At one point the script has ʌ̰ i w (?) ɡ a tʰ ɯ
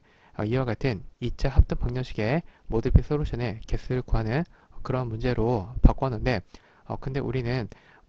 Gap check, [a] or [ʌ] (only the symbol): a